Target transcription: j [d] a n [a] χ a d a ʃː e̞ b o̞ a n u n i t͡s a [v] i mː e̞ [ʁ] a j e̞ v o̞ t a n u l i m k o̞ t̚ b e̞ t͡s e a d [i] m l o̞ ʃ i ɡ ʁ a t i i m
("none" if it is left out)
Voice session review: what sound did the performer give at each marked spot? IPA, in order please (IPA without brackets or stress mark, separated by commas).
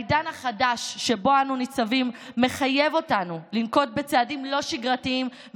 d, a, v, χ, i